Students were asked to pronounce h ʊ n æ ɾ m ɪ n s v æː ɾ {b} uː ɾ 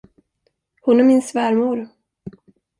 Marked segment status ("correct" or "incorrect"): incorrect